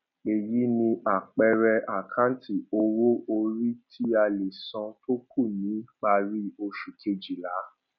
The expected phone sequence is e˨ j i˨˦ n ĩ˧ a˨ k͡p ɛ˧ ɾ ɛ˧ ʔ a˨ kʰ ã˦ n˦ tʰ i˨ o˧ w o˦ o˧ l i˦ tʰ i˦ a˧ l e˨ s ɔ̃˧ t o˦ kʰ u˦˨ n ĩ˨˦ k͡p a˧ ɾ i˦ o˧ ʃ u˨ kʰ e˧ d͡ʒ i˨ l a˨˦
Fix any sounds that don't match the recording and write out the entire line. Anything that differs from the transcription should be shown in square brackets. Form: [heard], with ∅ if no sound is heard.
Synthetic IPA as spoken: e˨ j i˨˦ n ĩ˧ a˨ k͡p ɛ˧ ɾ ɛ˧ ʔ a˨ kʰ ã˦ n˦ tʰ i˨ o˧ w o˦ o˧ [ɾ] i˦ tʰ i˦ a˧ l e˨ s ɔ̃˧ t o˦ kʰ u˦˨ n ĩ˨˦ k͡p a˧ ɾ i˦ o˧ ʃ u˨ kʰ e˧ d͡ʒ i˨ l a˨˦